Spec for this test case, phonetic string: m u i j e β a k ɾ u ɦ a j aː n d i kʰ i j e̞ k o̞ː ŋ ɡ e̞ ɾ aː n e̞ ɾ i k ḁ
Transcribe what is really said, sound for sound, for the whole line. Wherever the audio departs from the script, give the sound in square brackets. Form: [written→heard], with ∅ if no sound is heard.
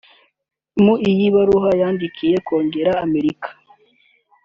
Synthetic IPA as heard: m u i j [e→i] β a [k→∅] ɾ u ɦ a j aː n d i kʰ i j e̞ k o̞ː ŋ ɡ e̞ ɾ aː [n→m] e̞ ɾ i k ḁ

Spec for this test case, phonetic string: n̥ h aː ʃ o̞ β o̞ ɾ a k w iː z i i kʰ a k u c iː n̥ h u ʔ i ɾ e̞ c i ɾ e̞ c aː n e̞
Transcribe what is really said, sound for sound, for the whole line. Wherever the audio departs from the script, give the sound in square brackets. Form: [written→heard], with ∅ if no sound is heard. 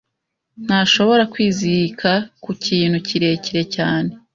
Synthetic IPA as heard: n̥ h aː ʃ o̞ β o̞ ɾ a k w iː z i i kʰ a k u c iː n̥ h u [ʔ→c] i ɾ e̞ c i ɾ e̞ c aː n e̞

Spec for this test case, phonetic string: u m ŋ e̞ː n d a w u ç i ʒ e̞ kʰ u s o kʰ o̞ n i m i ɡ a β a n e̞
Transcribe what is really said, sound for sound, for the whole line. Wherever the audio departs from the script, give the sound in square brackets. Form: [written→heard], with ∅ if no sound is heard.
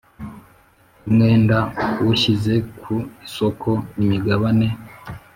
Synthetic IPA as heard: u m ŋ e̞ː n d a w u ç i [ʒ→z] e̞ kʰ u s o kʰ o̞ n i m i ɡ a β a n e̞

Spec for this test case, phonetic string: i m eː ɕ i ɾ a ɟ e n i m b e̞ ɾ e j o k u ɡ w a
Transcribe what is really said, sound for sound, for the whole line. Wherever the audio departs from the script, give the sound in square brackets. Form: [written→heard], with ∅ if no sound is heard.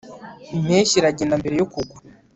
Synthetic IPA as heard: i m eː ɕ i ɾ a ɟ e n [i→a] m b e̞ ɾ e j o k u ɡ w a

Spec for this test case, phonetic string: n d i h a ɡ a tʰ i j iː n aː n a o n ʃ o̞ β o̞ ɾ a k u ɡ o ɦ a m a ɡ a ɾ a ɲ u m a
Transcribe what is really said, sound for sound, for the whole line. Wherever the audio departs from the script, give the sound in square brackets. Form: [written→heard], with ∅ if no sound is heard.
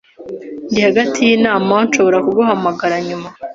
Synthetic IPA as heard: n d i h a ɡ a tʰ i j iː n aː [n→m] a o n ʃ o̞ β o̞ ɾ a k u ɡ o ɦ a m a ɡ a ɾ a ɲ u m a

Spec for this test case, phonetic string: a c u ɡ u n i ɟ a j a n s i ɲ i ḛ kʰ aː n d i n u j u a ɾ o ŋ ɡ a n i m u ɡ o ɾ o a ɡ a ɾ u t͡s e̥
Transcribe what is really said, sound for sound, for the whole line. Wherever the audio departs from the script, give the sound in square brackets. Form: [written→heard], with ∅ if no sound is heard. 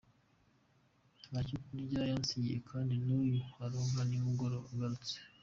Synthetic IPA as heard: a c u [ɡ→k] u n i ɟ a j a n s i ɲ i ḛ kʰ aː n d i n u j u a ɾ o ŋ ɡ a n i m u ɡ o ɾ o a ɡ a ɾ u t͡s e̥

